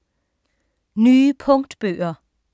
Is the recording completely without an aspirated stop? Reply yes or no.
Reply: no